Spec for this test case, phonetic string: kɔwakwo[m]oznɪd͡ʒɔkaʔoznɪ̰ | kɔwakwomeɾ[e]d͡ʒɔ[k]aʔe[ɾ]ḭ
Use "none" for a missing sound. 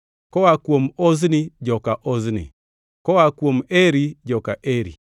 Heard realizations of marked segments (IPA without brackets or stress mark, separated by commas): m, i, k, ɾ